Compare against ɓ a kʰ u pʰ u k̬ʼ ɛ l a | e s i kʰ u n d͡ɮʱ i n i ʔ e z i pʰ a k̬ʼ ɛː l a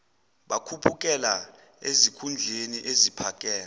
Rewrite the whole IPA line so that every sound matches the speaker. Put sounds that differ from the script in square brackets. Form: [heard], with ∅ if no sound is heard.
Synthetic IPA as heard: ɓ a kʰ u pʰ u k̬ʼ ɛ l a | e [z] i kʰ u n d͡ɮʱ [e] n i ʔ e z i pʰ a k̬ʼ ɛː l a

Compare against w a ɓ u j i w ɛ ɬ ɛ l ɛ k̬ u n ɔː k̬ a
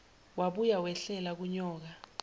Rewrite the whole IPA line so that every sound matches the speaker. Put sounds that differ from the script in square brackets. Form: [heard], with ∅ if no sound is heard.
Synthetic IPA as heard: w a ɓ u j [a] w ɛ ɬ ɛ l [a] k̬ u [ɲ] ɔː k̬ a

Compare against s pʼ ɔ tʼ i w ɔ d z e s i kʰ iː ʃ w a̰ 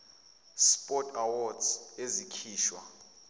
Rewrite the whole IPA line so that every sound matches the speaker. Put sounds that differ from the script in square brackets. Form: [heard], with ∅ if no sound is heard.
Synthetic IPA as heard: s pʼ ɔ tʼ [a] w ɔ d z e [z] i kʰ iː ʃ w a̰

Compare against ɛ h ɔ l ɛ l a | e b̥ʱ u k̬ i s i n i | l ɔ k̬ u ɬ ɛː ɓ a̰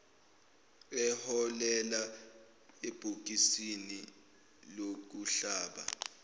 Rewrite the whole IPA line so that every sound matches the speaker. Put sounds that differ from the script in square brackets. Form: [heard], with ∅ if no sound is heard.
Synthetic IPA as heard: ɛ h ɔ l ɛ l a | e b̥ʱ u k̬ i s i n i | l [o] k̬ u ɬ [aː] ɓ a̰

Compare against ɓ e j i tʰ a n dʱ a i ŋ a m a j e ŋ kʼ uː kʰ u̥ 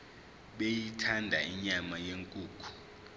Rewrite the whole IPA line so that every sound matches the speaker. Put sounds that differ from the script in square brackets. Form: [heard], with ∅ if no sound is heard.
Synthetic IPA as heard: ɓ e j i tʰ a n dʱ a i [ɲ] a m a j e ŋ kʼ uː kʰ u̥

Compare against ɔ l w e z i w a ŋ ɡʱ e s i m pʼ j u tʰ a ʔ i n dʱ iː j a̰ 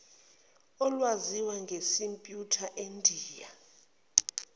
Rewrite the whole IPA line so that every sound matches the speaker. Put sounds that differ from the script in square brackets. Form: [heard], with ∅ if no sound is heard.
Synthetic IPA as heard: ɔ l w [a] z i w a ŋ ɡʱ e s i m pʼ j u tʰ a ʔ [e] n dʱ iː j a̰

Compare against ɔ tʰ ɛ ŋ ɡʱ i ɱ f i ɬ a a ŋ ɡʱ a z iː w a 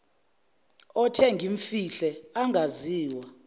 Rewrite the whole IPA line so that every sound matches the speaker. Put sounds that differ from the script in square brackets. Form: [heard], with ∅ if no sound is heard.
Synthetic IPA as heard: ɔ tʰ ɛ ŋ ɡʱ i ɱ f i ɬ [ɛ] a ŋ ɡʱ a z iː w a

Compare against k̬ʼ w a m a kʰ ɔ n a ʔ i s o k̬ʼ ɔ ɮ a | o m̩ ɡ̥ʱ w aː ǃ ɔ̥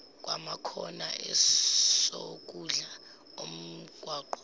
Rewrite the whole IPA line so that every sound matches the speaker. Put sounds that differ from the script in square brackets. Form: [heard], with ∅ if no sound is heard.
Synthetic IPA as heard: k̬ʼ w a m a kʰ ɔ n a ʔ [ɛ] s o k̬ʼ [u] ɮ a | o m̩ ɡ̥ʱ w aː ǃ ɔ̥

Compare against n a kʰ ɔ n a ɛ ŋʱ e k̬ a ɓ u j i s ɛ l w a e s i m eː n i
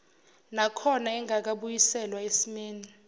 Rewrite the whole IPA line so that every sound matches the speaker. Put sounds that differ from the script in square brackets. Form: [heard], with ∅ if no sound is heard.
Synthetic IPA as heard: n a kʰ ɔ n a ɛ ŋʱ [a] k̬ a ɓ u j i s ɛ l w a e s i m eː n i

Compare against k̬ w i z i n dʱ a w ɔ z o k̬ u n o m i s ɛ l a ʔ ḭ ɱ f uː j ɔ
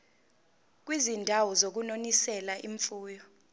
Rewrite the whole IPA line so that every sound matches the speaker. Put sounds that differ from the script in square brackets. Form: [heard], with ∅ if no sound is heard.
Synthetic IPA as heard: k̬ w i z i n dʱ a w ɔ z o k̬ u n o [n] i s ɛ l a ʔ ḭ ɱ f uː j ɔ

